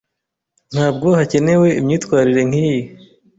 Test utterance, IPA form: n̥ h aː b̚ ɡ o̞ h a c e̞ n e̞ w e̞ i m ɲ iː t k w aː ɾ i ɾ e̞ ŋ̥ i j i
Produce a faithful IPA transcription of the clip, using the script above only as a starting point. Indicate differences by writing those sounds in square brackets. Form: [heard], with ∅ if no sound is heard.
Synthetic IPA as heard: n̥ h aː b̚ ɡ o̞ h a c e̞ n e̞ w e̞ i m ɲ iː t k w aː ɾ i ɾ e̞ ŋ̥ i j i